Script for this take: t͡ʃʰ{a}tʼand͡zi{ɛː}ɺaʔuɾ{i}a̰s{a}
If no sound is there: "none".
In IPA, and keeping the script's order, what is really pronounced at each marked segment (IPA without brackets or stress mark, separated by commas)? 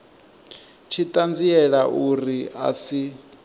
i, ɛ, i, i